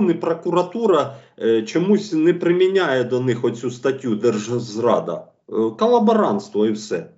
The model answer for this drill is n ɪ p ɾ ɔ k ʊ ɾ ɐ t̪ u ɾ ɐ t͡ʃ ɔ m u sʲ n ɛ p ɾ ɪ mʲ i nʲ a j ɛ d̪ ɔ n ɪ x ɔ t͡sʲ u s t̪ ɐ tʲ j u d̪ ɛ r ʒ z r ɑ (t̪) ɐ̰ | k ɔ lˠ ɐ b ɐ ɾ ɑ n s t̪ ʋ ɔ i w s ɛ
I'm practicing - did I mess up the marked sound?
yes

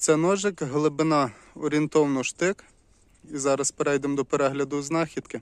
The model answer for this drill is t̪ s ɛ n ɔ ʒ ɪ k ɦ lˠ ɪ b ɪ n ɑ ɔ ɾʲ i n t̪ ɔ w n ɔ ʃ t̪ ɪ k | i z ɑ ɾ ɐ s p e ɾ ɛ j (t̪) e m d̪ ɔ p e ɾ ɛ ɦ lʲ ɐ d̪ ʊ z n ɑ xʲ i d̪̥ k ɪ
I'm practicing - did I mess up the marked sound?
yes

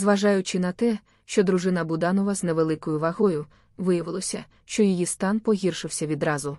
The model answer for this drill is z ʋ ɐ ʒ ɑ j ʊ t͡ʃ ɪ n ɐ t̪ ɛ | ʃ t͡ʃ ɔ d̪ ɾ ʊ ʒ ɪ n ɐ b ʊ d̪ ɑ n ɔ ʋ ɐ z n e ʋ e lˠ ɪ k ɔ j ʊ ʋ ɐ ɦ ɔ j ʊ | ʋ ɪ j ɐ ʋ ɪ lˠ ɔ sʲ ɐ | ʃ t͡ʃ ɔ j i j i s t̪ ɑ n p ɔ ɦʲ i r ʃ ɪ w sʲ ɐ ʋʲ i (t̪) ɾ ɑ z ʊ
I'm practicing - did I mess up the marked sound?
yes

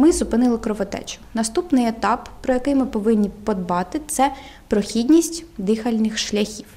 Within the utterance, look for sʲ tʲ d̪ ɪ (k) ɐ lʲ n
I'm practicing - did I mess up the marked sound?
yes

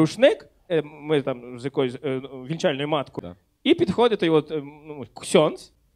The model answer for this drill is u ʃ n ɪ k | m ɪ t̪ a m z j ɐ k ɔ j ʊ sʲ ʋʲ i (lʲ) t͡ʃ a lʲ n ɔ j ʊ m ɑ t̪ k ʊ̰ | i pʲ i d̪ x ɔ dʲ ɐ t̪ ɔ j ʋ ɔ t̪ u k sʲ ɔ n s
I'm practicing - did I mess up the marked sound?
no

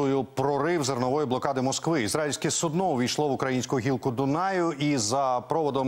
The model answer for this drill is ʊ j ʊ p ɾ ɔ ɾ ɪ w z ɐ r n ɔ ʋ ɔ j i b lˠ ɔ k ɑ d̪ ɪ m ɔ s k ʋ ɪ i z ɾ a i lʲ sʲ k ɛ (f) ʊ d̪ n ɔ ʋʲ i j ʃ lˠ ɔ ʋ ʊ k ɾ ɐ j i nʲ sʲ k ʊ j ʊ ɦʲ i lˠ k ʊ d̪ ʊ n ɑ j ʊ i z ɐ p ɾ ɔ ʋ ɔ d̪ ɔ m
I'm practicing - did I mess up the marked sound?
yes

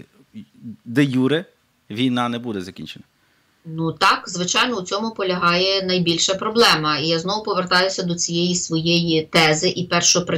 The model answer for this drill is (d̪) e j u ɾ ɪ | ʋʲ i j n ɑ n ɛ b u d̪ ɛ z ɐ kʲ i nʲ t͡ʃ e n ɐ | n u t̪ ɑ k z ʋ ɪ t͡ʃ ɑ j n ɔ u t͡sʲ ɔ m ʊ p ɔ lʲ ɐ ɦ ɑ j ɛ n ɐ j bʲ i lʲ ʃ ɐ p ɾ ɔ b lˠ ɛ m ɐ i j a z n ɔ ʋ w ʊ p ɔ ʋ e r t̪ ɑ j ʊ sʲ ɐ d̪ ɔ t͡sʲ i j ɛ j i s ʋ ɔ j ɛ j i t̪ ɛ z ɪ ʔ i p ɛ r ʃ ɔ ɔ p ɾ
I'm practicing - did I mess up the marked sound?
no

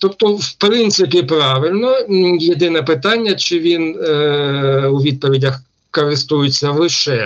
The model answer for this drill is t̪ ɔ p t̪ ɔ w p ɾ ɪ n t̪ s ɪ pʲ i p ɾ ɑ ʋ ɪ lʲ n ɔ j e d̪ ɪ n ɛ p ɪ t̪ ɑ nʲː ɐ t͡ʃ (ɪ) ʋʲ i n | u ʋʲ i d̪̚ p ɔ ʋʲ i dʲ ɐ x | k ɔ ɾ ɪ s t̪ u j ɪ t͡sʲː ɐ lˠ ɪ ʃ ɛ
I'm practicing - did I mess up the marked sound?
no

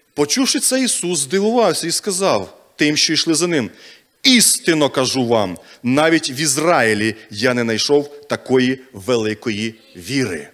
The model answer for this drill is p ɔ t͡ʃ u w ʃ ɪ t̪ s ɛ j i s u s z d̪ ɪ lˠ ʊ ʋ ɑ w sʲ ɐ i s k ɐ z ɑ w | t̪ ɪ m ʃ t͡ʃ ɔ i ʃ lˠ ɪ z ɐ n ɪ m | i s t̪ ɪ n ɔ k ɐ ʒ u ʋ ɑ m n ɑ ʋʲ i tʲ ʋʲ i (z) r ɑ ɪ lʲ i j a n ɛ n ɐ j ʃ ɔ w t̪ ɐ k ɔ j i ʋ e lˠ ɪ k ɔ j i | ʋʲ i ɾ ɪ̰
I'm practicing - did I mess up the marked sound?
no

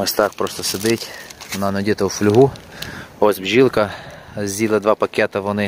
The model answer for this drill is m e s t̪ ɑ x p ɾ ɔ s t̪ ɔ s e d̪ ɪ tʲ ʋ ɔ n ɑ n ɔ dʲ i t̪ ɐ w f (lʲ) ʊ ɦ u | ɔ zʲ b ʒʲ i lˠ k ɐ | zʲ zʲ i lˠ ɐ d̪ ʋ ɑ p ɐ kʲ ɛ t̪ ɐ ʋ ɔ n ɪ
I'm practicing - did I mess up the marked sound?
no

